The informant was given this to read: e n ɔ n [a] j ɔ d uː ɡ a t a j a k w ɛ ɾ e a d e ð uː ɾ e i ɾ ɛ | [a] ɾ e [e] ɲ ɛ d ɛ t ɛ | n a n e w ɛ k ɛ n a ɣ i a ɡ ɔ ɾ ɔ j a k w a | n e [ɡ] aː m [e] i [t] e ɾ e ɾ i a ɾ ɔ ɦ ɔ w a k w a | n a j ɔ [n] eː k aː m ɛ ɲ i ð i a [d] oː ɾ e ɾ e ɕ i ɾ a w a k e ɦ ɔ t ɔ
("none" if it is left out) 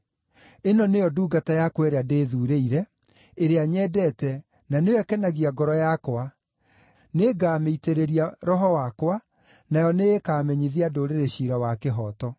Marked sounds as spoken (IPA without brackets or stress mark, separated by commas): e, e, a, ɡ, e, t, n, d